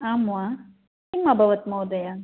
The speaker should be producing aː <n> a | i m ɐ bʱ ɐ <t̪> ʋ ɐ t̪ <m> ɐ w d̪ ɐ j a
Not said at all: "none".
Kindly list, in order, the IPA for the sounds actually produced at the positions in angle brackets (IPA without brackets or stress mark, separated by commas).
m, none, m